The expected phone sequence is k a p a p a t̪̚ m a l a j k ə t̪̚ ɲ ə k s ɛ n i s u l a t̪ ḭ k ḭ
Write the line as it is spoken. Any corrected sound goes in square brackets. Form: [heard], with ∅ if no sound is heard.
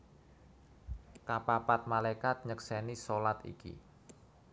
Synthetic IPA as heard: k a p a p a t̪̚ m a l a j k [a] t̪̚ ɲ ə k s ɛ n i s [o] l a t̪ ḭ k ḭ